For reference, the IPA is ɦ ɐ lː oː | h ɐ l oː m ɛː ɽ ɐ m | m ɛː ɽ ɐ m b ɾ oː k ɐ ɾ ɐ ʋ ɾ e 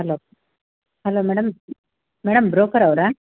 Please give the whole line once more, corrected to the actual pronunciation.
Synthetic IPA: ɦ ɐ l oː | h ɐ l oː m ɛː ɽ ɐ m | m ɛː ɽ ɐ m b ɾ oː k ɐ ɾ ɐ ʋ ɾ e